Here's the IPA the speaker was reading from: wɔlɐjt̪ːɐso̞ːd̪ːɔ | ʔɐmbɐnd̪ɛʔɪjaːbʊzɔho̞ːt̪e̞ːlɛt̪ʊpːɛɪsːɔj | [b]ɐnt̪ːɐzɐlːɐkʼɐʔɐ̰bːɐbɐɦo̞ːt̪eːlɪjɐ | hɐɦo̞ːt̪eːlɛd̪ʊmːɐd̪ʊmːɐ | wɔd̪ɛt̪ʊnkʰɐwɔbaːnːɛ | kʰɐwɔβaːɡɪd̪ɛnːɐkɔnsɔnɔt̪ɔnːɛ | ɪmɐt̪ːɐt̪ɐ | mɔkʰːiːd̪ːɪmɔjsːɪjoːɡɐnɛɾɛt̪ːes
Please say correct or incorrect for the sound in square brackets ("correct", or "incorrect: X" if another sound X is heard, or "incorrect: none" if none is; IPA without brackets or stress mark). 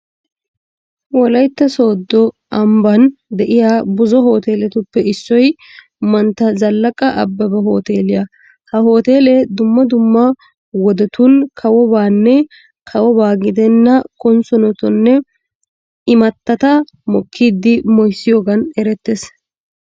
incorrect: m